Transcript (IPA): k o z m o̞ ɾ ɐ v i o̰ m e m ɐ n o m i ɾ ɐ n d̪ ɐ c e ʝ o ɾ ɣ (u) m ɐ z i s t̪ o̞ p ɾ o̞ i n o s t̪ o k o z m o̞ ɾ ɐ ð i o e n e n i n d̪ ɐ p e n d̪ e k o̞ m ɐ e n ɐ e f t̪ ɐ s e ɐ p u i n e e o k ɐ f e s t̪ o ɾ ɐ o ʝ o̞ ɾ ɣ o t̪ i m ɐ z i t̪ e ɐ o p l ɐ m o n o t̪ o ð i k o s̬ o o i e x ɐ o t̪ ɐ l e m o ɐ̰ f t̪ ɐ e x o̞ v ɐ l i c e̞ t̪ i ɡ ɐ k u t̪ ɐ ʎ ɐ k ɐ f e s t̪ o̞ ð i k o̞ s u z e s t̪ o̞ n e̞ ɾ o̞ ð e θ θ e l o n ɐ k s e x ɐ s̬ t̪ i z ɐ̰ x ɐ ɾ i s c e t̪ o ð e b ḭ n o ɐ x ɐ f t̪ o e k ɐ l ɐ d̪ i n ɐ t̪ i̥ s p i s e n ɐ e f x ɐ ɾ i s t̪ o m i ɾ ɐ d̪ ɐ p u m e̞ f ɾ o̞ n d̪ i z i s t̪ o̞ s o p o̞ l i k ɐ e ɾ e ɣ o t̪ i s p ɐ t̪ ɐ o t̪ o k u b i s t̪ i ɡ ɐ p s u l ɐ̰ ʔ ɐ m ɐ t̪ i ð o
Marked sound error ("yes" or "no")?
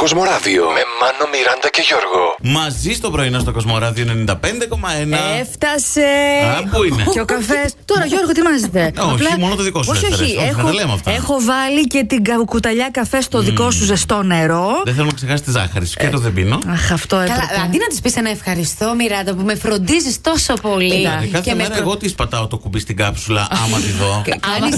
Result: yes